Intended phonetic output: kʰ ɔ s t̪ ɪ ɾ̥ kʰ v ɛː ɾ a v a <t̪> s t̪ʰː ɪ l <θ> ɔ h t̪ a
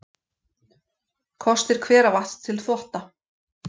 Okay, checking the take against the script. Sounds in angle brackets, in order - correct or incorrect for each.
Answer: incorrect: none, correct

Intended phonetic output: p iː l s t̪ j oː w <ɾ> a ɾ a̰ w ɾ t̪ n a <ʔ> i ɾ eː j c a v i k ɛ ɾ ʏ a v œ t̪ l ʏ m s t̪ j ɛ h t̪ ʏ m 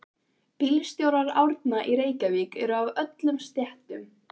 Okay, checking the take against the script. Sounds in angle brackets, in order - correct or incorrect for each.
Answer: correct, correct

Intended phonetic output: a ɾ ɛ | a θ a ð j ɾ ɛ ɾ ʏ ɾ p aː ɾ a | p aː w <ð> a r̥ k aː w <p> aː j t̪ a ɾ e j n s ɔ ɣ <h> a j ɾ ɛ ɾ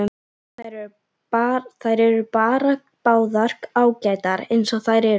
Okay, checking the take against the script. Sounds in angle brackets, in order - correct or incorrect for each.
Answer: correct, incorrect: c, incorrect: θ

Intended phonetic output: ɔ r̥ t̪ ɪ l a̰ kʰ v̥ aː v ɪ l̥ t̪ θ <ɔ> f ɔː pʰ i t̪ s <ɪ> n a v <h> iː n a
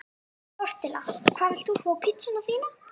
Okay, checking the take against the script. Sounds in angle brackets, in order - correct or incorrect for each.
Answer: incorrect: u, correct, incorrect: θ

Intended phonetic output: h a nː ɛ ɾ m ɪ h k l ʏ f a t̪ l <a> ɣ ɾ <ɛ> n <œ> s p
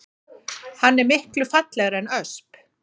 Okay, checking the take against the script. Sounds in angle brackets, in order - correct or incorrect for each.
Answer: incorrect: ɛ, correct, correct

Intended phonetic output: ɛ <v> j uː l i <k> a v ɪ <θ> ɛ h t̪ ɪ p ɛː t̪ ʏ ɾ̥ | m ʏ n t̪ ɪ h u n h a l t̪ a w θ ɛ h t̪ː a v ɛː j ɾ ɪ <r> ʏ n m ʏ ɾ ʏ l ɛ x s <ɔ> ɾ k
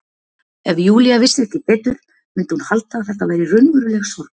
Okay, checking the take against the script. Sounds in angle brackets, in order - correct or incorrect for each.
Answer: correct, incorrect: none, incorrect: s, correct, correct

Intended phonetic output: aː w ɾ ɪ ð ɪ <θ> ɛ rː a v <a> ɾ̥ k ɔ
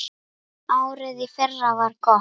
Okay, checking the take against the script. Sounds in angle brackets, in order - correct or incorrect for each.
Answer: incorrect: f, correct

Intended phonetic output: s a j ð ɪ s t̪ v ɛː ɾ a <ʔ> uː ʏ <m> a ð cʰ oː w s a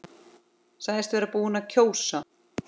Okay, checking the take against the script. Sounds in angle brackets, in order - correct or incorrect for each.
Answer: incorrect: p, incorrect: n

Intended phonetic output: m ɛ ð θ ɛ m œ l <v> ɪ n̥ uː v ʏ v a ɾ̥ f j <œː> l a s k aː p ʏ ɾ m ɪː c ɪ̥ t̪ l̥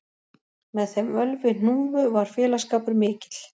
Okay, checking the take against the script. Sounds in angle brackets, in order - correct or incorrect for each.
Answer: correct, incorrect: ɛː

